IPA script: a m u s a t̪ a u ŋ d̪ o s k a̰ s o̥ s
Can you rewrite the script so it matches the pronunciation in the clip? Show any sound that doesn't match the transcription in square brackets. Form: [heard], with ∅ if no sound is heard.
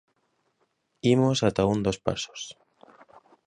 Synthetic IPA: [i] m [o] s a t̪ a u [n] d̪ o s [p] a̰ s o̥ s

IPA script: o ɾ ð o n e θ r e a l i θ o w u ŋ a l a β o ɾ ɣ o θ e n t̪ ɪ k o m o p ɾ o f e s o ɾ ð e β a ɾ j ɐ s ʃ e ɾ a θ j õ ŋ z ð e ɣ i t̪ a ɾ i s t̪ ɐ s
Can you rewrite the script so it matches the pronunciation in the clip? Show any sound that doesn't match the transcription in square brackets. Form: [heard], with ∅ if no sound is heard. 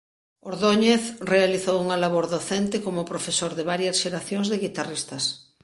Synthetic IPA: o ɾ ð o [ɲ] e θ r e a l i θ o w u ŋ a l a β o ɾ [ð] o θ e n t̪ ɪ k o m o p ɾ o f e s o ɾ ð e β a ɾ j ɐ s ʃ e ɾ a θ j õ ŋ z ð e ɣ i t̪ a [r] i s t̪ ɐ s

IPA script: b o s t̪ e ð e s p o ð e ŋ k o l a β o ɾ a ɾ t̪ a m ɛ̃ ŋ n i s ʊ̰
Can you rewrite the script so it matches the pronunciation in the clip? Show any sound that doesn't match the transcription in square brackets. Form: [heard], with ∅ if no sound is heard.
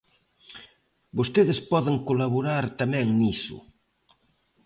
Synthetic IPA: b o s t̪ e ð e s p [ɔ] ð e ŋ k o l a β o ɾ a ɾ t̪ a m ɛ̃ ŋ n i s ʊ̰

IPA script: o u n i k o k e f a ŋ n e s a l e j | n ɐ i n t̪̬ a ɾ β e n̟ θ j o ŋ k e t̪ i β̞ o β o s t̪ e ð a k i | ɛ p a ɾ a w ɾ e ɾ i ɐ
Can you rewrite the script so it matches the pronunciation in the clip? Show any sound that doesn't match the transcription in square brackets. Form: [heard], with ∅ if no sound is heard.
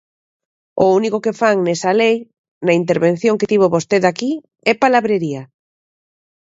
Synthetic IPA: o u n i k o k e f a ŋ n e s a l e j | n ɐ i n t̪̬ [e] ɾ β e n̟ θ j o ŋ k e t̪ i β̞ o β o s t̪ e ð a k i | ɛ p a [l] a [β] ɾ e ɾ i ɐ

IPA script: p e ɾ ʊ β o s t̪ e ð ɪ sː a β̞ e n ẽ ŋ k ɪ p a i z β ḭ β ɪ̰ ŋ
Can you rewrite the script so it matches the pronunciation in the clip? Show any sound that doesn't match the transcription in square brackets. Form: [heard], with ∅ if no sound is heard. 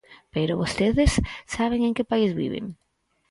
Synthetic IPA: p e ɾ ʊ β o s t̪ e ð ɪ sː a β̞ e [ŋ] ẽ ŋ k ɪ p a i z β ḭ β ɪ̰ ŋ

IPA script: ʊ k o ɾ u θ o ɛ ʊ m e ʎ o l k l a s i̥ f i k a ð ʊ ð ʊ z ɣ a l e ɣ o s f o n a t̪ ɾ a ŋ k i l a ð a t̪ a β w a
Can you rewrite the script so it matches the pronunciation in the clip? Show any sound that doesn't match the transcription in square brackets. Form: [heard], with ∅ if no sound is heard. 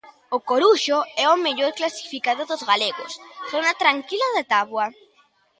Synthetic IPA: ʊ k o ɾ u [ʃ] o ɛ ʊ m e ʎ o [ɾ] k l a s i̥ f i k a ð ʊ ð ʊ z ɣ a l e ɣ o s [θ] o n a t̪ ɾ a ŋ k i l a ð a t̪ a β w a

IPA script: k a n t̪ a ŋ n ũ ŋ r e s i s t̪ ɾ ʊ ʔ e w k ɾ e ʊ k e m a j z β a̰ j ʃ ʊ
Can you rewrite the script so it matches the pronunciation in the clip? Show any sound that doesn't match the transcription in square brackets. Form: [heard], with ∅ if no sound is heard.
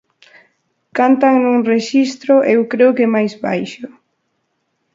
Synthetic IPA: k a n t̪ a ŋ n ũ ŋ r e [ʃ] i s t̪ ɾ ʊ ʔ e w k ɾ e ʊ k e m a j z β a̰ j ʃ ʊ

